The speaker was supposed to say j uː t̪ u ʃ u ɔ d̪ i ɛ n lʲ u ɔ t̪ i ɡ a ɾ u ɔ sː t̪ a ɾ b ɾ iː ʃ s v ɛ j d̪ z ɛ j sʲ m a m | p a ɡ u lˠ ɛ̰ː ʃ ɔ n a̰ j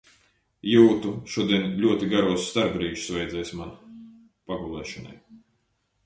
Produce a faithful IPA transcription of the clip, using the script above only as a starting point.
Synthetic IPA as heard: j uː t̪ u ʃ u ɔ d̪ i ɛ n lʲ u ɔ t̪ i ɡ a ɾ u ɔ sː t̪ a ɾ b ɾ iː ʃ s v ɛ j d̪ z ɛ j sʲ m a n | p a ɡ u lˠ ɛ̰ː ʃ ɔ n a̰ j